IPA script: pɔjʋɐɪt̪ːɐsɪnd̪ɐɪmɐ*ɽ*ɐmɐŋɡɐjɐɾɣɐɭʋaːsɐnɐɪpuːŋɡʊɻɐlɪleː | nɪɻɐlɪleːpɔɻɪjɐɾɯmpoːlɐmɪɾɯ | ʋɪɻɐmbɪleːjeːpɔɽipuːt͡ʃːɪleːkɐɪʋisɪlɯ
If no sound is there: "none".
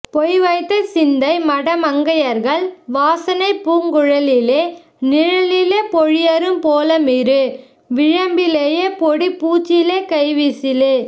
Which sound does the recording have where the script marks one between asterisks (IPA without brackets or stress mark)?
ɽ